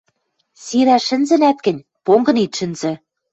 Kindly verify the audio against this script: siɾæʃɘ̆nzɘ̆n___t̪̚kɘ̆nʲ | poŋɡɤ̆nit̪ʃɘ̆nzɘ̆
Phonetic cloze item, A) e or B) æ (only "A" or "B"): B